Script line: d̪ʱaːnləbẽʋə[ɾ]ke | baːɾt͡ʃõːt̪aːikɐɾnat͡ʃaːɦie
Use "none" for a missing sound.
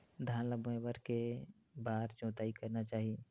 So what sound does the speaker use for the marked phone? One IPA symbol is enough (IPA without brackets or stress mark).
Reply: ɾ